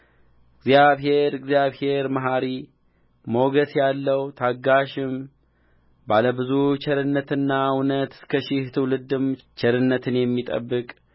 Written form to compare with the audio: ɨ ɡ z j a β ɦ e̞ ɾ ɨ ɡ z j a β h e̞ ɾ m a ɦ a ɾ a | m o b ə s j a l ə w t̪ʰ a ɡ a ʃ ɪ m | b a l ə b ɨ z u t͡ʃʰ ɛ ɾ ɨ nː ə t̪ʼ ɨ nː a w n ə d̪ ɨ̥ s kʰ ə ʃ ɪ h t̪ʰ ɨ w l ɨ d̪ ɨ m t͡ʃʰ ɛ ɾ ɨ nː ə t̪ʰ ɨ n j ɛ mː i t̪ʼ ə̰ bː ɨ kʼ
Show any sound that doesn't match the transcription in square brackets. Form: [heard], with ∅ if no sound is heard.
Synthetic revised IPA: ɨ ɡ z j a β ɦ e̞ ɾ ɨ ɡ z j a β h e̞ ɾ m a ɦ a ɾ [i] | m o [ɡ] ə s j a [lː] ə w t̪ʰ a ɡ a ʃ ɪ m | b a l ə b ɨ z u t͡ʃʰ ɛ ɾ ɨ nː ə [t̪] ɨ nː a w n ə [t̪] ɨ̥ s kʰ ə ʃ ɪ h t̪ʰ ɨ w l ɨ d̪ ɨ m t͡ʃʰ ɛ ɾ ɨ nː ə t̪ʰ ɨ n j ɛ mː i t̪ʼ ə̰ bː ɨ kʼ